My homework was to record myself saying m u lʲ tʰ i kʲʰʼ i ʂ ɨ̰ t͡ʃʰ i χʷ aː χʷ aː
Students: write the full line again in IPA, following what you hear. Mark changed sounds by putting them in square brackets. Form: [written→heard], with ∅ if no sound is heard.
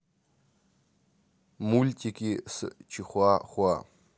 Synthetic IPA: m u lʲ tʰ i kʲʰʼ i [ʂ→s] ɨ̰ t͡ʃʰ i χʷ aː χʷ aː